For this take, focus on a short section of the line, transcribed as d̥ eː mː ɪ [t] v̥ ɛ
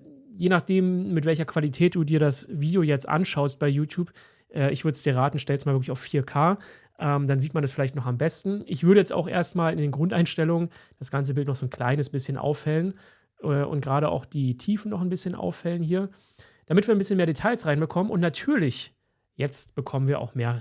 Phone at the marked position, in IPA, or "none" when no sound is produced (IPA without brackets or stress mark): t